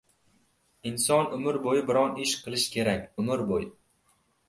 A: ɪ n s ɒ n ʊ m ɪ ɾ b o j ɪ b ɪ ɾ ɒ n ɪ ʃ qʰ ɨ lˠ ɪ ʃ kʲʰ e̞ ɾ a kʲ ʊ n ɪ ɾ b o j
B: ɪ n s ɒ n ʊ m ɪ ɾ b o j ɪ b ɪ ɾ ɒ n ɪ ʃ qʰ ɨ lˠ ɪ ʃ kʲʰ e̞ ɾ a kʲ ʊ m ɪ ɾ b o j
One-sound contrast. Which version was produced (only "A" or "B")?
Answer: B